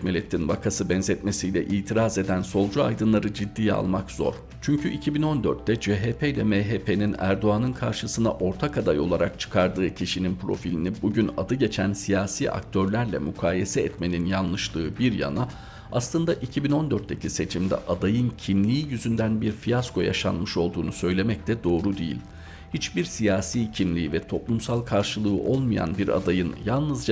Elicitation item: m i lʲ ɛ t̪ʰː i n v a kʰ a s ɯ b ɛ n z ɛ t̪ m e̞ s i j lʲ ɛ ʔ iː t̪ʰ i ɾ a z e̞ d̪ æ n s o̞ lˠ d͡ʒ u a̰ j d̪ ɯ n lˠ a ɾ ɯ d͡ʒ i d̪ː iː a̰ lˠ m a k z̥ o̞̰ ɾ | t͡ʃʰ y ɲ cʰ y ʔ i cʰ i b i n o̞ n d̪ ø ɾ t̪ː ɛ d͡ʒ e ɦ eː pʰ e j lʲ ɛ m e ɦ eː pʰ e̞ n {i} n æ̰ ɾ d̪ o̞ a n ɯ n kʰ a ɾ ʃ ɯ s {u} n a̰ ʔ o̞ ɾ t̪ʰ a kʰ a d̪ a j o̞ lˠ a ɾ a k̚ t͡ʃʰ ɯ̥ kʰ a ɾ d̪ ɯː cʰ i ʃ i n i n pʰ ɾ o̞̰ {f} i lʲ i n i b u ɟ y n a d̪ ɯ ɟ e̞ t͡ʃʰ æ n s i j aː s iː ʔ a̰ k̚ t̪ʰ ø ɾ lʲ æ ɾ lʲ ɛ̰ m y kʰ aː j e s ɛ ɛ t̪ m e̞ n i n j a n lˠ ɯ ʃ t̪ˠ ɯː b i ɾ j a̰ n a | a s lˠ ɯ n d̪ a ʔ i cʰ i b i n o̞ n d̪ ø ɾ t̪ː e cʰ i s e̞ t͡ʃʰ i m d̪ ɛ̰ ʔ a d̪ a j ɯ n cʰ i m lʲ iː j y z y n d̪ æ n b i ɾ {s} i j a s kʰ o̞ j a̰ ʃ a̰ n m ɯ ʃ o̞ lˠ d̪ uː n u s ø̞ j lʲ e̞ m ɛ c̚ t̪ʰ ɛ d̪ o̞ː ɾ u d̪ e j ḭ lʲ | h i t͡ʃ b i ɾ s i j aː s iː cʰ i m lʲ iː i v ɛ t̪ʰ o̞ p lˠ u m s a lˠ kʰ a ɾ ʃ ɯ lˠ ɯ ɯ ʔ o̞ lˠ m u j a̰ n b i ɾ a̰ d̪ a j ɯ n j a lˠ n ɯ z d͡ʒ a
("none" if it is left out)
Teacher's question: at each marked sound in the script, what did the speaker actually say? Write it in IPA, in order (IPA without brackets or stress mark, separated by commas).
i, ɯ, f, f